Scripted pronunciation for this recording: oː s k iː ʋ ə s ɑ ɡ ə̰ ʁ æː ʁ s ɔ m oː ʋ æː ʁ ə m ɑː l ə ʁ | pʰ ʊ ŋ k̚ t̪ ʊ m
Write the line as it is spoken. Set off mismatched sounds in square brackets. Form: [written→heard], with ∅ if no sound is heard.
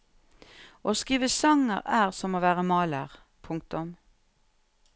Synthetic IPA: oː s k iː ʋ ə s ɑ [ɡ→ŋ] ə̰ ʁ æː ʁ s ɔ m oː ʋ æː ʁ ə m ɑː l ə ʁ | pʰ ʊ ŋ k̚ t̪ ʊ m